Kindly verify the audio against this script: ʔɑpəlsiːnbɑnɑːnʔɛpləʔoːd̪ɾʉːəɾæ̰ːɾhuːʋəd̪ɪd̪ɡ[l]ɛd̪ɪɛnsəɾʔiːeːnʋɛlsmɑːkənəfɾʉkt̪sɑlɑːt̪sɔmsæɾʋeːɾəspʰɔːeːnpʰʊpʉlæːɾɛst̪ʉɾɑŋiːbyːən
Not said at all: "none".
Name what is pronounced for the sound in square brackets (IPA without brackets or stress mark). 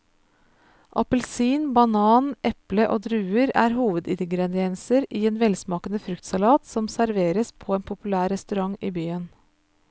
ɾ